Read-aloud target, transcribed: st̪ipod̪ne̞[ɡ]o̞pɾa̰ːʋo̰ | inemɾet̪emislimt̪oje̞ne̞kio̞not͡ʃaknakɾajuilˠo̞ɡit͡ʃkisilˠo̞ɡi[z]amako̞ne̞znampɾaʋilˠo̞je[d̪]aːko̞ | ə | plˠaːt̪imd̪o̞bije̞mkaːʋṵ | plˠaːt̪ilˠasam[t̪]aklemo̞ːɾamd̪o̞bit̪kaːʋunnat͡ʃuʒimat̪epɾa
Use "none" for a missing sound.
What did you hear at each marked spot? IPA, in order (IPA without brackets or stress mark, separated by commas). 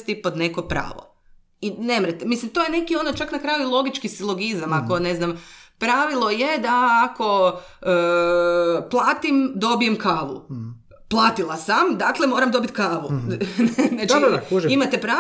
k, z, d̪, d̪